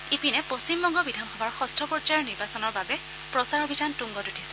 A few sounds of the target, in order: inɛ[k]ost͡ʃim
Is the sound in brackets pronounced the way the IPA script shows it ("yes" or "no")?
no